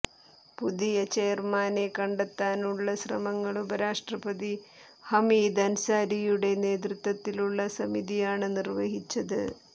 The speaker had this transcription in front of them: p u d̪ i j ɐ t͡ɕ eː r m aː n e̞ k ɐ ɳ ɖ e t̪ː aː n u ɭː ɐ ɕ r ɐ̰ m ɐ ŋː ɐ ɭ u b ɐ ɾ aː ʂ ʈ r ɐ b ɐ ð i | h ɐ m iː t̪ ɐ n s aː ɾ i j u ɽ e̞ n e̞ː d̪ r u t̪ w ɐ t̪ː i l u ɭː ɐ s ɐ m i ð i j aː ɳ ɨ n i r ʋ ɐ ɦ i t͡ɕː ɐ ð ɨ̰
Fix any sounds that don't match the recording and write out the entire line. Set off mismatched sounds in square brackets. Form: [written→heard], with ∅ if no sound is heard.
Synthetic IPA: p u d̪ i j ɐ t͡ɕ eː r m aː n e̞ k ɐ ɳ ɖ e t̪ː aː n u ɭː ɐ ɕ r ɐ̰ m ɐ ŋː ɐ ɭ u b ɐ ɾ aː ʂ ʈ r ɐ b ɐ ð i | h ɐ m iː [t̪→d̪] ɐ n s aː ɾ i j u ɽ e̞ n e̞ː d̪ r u t̪ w ɐ t̪ː i l u ɭː ɐ s ɐ m i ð i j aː ɳ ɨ n i r ʋ ɐ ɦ i t͡ɕː ɐ ð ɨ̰